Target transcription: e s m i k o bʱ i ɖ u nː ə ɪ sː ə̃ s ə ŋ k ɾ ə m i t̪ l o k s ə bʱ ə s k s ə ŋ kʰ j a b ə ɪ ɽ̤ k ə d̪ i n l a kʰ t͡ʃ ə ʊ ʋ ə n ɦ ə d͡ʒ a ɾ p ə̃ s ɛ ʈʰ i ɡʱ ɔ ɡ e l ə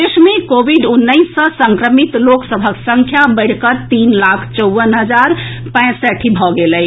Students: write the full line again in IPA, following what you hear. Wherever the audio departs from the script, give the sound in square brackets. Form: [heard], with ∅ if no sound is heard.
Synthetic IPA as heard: e s m [e] k o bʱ i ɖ u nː ə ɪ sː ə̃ s ə ŋ k ɾ ə m i t̪ l o k s ə bʱ ə [∅] k s ə ŋ kʰ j a b ə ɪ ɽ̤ k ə [t̪] i n l a kʰ t͡ʃ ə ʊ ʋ ə n ɦ ə d͡ʒ a ɾ p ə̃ s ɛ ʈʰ i [bʱ] ɔ ɡ e l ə